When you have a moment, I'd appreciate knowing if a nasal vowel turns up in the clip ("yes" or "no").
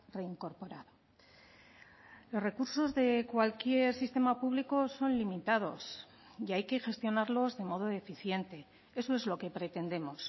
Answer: no